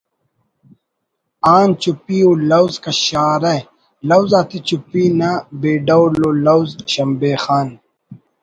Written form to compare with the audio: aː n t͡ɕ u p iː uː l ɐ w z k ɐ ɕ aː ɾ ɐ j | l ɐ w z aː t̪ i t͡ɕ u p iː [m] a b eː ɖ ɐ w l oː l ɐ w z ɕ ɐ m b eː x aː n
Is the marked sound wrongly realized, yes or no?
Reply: yes